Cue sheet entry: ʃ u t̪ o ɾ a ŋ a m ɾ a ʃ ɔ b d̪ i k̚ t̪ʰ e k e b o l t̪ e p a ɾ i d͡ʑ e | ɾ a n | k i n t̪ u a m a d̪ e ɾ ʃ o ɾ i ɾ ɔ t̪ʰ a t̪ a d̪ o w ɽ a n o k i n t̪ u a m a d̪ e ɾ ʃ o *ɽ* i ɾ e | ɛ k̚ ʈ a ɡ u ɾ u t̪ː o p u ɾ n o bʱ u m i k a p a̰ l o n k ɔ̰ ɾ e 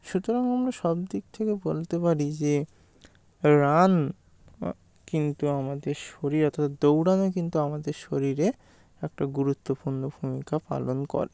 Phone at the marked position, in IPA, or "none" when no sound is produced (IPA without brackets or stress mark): ɾ